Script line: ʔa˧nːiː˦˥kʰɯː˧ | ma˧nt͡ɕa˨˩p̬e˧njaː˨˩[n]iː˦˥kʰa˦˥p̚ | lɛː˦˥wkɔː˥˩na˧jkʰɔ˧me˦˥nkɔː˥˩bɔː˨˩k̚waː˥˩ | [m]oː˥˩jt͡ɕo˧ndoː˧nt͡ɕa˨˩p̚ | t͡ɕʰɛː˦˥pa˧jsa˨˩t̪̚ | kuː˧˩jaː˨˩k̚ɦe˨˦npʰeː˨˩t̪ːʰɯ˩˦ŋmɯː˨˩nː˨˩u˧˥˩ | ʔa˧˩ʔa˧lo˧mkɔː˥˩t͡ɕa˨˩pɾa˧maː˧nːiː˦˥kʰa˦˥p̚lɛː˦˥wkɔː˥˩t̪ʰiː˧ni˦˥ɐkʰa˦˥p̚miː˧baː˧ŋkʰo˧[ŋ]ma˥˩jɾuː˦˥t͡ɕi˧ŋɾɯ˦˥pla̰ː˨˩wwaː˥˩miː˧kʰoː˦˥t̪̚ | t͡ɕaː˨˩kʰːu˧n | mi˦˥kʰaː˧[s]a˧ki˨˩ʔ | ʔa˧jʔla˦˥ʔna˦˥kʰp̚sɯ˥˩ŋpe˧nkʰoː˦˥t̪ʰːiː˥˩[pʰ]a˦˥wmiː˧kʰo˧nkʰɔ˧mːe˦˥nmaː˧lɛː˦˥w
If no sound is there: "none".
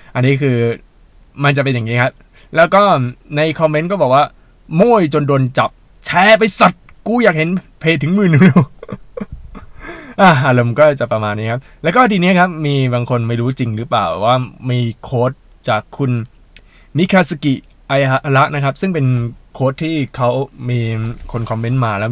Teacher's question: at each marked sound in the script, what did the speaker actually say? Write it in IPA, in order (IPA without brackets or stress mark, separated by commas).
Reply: ŋ, m, n, s, kʰ